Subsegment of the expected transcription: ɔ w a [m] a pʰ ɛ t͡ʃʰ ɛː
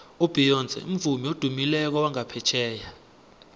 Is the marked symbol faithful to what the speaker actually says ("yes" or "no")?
no